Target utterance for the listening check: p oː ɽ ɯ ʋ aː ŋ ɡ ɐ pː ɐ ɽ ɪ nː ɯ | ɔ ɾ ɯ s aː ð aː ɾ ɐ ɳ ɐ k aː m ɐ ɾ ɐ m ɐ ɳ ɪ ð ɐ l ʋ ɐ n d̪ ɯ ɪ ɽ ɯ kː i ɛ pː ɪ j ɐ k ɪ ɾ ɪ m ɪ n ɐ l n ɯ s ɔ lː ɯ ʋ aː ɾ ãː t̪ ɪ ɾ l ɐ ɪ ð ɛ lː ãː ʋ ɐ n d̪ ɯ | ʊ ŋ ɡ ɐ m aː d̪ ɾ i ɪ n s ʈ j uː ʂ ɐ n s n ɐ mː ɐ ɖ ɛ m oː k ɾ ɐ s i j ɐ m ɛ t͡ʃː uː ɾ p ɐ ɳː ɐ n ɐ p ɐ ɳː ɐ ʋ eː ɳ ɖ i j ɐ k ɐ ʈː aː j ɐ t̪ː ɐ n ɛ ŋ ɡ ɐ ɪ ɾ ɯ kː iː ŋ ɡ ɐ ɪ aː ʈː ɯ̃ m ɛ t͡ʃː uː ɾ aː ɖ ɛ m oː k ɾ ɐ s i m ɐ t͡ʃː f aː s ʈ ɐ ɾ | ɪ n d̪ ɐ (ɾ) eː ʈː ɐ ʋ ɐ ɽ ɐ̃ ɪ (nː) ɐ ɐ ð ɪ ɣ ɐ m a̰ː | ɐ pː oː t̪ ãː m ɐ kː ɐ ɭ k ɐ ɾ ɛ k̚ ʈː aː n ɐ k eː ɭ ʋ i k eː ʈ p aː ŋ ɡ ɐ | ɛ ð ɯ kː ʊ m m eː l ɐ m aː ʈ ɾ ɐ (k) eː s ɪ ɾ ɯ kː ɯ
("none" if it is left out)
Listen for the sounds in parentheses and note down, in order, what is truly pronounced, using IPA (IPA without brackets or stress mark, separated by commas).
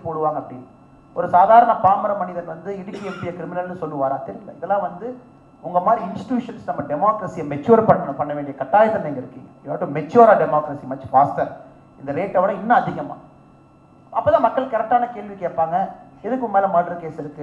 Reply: ɾ, nː, k